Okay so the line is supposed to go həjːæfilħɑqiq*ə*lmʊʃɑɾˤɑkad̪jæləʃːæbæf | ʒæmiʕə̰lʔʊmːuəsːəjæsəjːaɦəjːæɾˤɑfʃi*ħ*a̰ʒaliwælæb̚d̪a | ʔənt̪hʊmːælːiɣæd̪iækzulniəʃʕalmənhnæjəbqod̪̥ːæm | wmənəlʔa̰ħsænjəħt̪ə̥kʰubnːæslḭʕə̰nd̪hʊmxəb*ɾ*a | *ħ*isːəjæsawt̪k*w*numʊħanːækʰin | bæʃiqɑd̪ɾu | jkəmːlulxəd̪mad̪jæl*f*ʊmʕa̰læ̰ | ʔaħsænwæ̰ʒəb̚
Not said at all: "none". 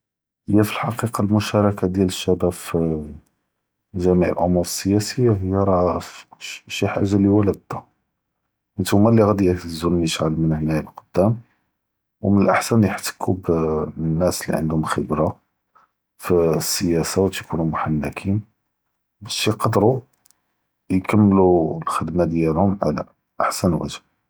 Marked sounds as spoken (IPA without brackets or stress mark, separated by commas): ɑ, ħ, ɾ, f, u, h